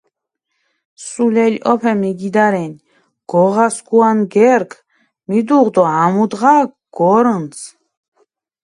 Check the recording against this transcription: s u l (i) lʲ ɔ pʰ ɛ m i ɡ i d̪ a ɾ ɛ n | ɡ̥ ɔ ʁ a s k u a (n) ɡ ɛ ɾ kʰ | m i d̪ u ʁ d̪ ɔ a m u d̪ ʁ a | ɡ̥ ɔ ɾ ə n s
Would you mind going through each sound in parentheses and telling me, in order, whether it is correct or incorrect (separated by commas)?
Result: incorrect, correct